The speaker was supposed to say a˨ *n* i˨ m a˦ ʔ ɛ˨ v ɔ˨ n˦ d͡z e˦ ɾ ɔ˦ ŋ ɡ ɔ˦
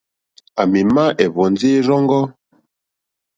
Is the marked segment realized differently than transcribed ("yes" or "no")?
yes